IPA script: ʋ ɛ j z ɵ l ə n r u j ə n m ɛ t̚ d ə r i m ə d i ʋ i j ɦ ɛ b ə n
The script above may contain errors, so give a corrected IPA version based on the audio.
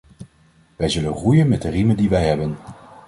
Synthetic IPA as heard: ʋ ɛ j z ɵ l ə n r u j ə n m ɛ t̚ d ə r i m ə d i ʋ ɛ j ɦ ɛ b ə n